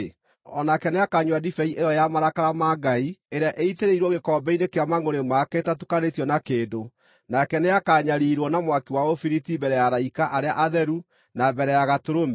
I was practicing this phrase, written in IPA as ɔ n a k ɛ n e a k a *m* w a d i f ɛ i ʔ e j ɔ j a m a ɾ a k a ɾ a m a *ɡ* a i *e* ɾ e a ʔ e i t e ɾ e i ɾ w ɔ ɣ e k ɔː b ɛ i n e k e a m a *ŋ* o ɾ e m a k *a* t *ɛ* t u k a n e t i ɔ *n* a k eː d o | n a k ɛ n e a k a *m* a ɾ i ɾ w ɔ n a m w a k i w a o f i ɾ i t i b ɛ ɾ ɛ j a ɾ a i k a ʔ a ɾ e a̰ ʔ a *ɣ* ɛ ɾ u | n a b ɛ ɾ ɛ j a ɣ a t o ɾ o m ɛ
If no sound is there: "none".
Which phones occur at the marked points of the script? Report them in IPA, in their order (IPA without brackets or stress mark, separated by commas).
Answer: ɲ, ɡ, e, ŋ, ɛ, a, n, ɲ, ð